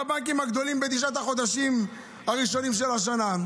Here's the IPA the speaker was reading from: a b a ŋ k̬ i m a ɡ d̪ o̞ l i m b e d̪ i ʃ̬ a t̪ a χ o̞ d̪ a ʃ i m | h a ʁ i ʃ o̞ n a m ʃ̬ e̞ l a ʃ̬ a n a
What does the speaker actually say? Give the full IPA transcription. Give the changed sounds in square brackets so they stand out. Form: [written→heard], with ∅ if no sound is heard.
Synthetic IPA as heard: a b a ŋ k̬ i m a ɡ d̪ o̞ l i m b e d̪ i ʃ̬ a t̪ a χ o̞ d̪ a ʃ i m | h a ʁ i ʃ o̞ n [a→i] m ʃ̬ e̞ l a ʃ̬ a n a